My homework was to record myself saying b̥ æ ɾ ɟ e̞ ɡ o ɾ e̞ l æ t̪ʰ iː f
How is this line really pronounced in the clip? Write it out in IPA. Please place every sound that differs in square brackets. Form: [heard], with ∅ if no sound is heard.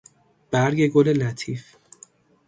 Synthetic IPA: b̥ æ ɾ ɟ e̞ ɡ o [l] e̞ l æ t̪ʰ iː f